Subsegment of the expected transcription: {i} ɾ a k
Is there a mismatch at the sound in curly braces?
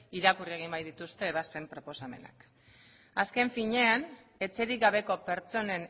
no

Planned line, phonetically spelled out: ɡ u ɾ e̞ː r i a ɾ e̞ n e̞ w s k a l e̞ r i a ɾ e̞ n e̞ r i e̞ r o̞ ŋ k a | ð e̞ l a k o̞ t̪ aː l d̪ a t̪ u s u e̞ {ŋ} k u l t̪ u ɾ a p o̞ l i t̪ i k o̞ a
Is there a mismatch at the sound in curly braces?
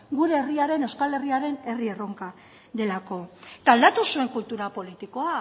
no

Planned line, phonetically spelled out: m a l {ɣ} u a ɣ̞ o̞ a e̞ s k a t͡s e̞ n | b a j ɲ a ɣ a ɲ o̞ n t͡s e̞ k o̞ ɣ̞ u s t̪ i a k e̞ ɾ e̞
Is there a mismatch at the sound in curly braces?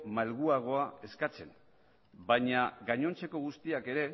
no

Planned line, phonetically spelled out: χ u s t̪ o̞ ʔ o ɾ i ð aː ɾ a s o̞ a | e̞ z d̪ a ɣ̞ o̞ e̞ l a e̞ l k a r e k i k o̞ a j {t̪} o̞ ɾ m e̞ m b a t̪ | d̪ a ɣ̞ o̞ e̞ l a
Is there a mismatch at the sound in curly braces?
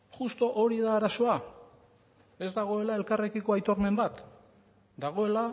no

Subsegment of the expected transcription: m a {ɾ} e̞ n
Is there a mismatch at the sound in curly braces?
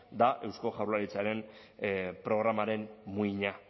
no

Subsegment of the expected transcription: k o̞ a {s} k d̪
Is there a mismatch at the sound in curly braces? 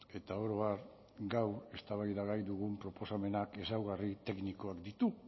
yes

